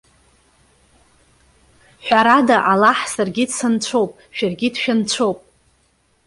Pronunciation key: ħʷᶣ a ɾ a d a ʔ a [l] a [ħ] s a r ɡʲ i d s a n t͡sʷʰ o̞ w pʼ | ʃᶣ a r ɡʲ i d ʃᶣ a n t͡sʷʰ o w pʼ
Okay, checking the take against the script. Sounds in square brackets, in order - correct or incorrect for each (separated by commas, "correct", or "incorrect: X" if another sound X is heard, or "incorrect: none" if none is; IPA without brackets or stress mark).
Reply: correct, correct